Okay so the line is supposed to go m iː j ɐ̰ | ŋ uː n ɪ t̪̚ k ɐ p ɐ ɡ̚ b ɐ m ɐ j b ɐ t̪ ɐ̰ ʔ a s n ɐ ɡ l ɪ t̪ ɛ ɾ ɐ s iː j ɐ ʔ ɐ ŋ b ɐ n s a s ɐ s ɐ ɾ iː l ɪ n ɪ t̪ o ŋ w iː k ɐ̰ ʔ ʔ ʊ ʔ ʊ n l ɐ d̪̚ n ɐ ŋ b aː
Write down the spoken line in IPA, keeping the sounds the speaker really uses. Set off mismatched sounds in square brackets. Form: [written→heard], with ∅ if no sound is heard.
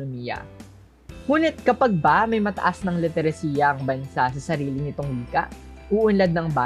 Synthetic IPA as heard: m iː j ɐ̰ | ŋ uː n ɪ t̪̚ k ɐ p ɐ ɡ̚ b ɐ m ɐ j [b→m] ɐ t̪ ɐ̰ ʔ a s n ɐ [ɡ→ŋ] l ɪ t̪ ɛ ɾ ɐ s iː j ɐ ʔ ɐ ŋ b ɐ n s a s ɐ s ɐ ɾ iː l ɪ n ɪ t̪ o ŋ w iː k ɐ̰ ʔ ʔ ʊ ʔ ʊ n l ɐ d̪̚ n ɐ ŋ b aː